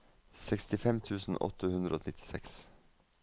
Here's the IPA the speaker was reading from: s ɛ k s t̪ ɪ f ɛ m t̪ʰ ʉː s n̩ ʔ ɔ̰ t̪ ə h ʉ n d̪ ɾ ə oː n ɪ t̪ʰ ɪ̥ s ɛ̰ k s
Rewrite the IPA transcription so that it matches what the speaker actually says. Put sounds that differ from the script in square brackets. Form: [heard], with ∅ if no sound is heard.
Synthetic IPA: s ɛ k s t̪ ɪ f ɛ m t̪ʰ ʉː s n̩ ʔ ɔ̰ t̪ ə h ʉ n d̪ ɾ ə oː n ɪ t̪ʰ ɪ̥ s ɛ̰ k s

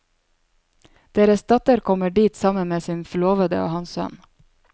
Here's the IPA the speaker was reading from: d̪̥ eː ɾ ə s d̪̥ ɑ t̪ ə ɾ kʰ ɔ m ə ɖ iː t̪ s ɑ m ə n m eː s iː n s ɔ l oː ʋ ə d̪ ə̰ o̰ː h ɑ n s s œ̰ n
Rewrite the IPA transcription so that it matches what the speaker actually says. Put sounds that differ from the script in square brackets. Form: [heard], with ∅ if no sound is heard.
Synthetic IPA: d̪̥ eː ɾ ə s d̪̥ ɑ t̪ ə ɾ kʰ ɔ m ə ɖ iː t̪ s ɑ m ə n m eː s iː n [f] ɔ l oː ʋ ə d̪ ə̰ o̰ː h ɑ n s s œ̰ n

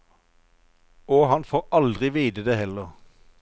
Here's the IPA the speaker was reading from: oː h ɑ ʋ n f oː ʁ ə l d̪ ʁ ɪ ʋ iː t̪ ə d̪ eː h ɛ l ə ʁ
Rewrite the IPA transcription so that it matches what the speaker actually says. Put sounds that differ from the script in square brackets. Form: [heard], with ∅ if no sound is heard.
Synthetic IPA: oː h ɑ [∅] n f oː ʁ [ɑ] l d̪ ʁ ɪ ʋ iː [d̪] ə d̪ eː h ɛ l ə ʁ

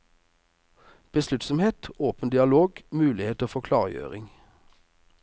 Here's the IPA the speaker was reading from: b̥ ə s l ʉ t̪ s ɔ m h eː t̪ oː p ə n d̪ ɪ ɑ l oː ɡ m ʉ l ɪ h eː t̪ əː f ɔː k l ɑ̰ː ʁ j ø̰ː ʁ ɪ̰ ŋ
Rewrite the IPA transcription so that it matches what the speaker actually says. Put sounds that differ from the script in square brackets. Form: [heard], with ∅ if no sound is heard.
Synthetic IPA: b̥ ə s l ʉ t̪ s ɔ m h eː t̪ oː p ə n d̪ ɪ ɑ l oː ɡ m [ʉː] l ɪ h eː t̪ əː f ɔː [kʰ] l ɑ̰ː ʁ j ø̰ː ʁ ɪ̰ ŋ

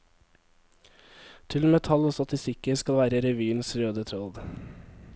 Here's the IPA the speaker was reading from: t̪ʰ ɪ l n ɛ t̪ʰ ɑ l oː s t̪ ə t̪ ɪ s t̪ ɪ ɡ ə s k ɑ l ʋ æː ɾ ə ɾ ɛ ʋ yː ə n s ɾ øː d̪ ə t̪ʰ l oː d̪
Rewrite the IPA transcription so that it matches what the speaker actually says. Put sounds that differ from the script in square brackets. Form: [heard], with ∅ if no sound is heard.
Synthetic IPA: t̪ʰ ɪ l [m] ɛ t̪ʰ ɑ l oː s t̪ [ɑ] t̪ ɪ s t̪ ɪ [k] ə s k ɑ l ʋ æː ɾ ə ɾ ɛ ʋ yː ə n s ɾ øː d̪ ə t̪ʰ [ɾ] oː d̪

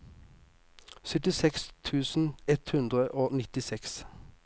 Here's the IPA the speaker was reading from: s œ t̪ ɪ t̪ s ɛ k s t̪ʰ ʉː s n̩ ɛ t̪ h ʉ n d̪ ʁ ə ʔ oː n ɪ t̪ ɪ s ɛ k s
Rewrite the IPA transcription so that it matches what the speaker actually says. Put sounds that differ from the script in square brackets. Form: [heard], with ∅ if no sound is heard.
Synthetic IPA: s œ t̪ ɪ [∅] s ɛ k s t̪ʰ ʉː s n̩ ɛ t̪ h ʉ n d̪ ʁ ə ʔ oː n ɪ t̪ ɪ s ɛ k s

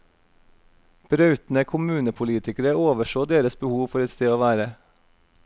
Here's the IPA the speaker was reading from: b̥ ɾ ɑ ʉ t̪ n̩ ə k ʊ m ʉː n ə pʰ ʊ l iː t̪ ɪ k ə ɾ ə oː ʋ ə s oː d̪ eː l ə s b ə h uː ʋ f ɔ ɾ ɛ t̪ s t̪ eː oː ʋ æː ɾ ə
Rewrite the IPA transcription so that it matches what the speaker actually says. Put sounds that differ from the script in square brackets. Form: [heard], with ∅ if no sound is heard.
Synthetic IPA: b̥ ɾ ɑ ʉ t̪ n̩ ə [kʰ] ʊ m ʉː n ə pʰ ʊ l iː t̪ ɪ k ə ɾ ə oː ʋ ə [ʃ] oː d̪ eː [ɾ] ə s b ə h uː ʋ f ɔ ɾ ɛ t̪ s t̪ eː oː ʋ æː ɾ ə

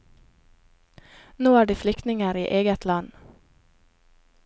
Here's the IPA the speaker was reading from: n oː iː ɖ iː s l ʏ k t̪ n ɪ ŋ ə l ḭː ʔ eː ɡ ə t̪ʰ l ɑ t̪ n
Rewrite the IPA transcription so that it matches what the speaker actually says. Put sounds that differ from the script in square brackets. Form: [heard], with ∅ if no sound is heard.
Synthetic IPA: n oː [æː] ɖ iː [f] l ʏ k t̪ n ɪ ŋ ə [ɾ] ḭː ʔ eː ɡ ə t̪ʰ l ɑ [∅] n

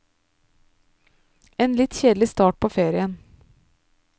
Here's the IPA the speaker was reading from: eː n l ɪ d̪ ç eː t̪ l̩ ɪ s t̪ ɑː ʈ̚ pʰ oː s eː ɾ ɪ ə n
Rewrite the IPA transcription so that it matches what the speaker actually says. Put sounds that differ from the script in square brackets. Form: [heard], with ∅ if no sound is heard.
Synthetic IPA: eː n l ɪ [t̪] ç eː [d̪] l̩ ɪ s t̪ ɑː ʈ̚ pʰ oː [f] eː ɾ ɪ ə n

